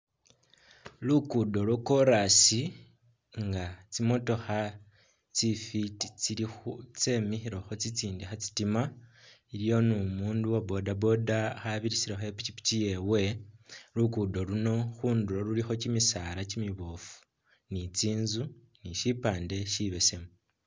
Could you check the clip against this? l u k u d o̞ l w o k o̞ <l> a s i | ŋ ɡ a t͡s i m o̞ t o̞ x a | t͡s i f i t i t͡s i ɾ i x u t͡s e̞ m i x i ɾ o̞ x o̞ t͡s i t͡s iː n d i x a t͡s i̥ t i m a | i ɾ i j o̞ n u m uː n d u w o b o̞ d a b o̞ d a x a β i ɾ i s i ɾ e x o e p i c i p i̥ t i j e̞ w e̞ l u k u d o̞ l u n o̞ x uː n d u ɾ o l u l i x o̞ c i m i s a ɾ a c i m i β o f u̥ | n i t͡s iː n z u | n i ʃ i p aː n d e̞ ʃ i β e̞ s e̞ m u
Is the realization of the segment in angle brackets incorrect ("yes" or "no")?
yes